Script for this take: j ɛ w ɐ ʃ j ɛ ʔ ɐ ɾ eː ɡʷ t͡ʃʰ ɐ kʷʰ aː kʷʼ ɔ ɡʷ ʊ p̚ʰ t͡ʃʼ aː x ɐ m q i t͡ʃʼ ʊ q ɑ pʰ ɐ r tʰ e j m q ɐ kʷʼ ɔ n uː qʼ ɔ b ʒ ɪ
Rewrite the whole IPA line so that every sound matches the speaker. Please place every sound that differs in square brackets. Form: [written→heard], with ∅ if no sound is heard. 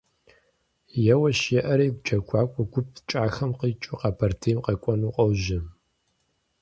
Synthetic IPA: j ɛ w ɐ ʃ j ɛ ʔ ɐ ɾ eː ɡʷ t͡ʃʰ ɐ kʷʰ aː kʷʼ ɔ ɡʷ ʊ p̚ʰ t͡ʃʼ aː x ɐ m q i t͡ʃʼ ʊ q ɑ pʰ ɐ r tʰ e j m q ɐ kʷʼ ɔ n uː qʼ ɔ [b→w] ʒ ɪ